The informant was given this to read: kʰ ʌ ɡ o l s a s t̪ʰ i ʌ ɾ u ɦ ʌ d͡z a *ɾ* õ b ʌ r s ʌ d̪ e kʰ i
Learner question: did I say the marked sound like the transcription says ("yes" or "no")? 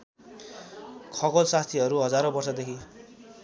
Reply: yes